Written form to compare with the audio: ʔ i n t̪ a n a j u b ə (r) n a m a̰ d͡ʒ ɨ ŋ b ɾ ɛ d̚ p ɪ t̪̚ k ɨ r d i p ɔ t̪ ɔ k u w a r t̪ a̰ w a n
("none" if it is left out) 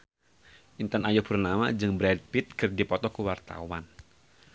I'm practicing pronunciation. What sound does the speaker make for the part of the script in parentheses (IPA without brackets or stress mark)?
r